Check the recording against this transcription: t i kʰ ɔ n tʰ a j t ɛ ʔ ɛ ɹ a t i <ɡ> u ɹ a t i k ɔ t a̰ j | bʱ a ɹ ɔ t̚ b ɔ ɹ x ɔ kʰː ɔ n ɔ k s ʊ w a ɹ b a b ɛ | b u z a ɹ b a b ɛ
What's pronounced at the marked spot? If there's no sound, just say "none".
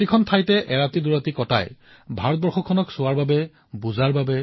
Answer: d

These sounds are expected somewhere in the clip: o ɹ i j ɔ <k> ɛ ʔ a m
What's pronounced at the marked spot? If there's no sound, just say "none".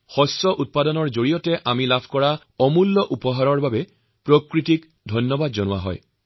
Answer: t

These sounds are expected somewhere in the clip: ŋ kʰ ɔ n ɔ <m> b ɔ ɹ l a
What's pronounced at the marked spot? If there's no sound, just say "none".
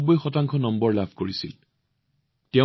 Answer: m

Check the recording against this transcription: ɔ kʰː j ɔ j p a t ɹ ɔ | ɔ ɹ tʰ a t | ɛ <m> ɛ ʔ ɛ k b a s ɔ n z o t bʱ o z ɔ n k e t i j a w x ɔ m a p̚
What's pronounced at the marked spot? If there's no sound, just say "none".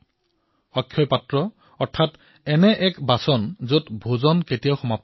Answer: n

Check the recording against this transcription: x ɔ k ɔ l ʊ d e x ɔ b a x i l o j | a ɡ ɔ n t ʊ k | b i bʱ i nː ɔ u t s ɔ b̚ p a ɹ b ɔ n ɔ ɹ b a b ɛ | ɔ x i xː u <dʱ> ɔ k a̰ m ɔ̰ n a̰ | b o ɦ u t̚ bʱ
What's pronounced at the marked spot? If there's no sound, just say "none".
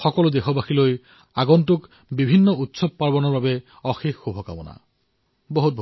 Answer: bʱ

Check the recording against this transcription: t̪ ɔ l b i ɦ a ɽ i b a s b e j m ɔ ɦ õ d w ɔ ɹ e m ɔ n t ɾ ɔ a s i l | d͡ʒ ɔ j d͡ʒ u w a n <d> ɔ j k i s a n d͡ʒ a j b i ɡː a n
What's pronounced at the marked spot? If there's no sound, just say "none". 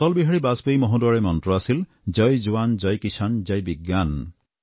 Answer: d͡ʒ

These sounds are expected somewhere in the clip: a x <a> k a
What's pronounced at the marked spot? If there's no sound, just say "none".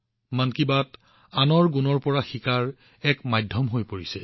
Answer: i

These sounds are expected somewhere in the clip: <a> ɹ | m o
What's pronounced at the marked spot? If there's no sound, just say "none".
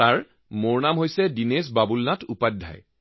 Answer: a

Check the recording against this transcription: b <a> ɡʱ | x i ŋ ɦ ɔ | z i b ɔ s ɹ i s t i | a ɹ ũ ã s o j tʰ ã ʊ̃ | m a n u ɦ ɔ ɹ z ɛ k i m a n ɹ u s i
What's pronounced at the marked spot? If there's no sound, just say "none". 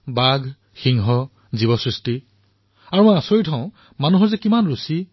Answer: a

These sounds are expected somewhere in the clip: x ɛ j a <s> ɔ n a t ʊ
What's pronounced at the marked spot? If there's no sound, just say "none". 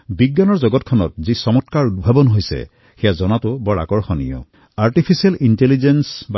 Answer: z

